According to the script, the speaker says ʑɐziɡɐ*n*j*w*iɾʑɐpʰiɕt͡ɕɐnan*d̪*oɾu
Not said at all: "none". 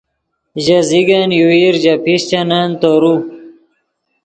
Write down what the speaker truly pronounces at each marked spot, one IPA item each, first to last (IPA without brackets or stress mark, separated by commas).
n, u, t̪